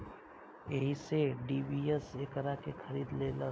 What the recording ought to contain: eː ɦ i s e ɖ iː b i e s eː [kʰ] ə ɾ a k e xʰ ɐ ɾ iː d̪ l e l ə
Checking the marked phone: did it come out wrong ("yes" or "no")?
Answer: yes